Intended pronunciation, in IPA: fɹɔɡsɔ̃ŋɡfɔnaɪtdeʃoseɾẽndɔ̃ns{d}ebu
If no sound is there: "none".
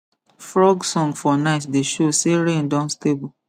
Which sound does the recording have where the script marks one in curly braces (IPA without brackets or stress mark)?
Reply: t